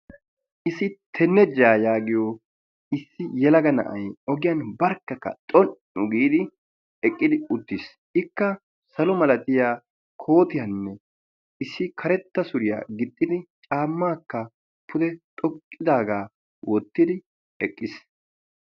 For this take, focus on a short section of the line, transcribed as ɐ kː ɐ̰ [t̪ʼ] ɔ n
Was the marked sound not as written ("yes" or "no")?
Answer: no